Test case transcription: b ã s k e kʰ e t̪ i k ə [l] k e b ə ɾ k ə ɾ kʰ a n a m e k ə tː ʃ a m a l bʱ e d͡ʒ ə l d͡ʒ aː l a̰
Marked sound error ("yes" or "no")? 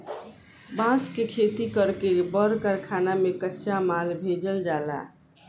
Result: yes